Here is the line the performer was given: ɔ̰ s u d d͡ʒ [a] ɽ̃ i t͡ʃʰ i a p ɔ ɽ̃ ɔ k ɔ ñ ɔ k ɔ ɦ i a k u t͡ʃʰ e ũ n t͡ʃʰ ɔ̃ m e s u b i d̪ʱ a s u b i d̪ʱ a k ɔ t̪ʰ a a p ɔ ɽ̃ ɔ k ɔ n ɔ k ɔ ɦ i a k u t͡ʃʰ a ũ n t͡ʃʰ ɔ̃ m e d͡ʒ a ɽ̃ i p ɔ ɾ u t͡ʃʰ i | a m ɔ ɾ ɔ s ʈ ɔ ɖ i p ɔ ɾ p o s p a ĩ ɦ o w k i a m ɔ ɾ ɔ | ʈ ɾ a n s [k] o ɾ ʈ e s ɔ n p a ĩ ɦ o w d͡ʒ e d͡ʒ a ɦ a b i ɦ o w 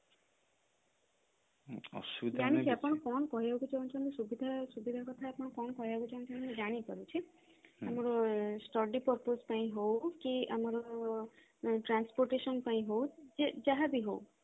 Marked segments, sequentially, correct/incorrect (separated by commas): correct, incorrect